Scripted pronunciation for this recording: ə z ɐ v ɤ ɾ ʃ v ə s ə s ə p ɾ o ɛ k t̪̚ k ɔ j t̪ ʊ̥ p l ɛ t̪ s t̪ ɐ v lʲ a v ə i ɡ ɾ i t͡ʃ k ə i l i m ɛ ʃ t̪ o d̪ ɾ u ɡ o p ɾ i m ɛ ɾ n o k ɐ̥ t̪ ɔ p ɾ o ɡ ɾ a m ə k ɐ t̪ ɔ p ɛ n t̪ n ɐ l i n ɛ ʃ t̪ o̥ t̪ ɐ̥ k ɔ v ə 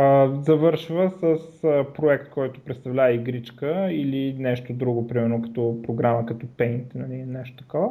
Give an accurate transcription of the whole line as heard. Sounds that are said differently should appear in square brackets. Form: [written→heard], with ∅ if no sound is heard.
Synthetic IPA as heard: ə z ɐ v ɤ ɾ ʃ v ə s ə s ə p ɾ o ɛ k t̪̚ k ɔ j t̪ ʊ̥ p [l→ɾ] ɛ t̪ s t̪ ɐ v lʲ a v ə i ɡ ɾ i t͡ʃ k ə i l i [m→n] ɛ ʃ t̪ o d̪ ɾ u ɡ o p ɾ i m ɛ ɾ n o k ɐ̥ t̪ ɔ p ɾ o ɡ ɾ a m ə k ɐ t̪ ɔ p ɛ n t̪ n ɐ l i n ɛ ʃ t̪ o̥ t̪ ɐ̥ k ɔ v ə